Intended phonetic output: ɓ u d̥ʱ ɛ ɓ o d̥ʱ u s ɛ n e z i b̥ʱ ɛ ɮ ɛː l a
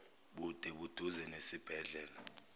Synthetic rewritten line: ɓ u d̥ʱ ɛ ɓ u d̥ʱ u z ɛ n e s i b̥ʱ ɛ ɮ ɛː l a